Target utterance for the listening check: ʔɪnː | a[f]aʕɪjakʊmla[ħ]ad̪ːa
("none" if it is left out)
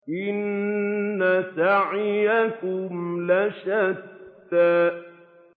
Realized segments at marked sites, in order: s, ʃ

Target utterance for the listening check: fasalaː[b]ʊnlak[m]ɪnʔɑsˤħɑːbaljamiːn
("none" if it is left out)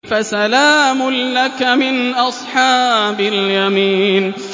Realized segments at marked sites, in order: m, m

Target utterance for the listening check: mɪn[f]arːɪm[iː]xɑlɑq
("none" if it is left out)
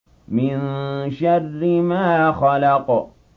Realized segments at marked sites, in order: ʃ, aː

